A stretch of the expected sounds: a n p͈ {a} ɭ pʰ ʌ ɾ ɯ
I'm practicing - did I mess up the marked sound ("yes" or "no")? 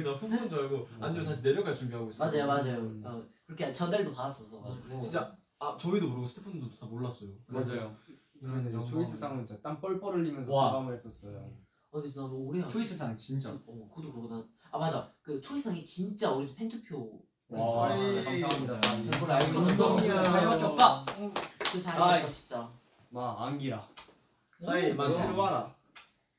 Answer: yes